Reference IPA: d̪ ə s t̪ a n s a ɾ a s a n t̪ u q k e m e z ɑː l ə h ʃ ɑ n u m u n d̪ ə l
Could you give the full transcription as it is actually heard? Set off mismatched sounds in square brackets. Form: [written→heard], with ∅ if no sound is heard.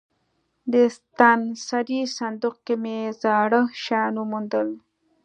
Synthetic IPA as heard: d̪ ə s t̪ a n s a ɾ [a→i] s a n [t̪→d̪] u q k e m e z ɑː [l→ɽ] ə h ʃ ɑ n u m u n d̪ ə l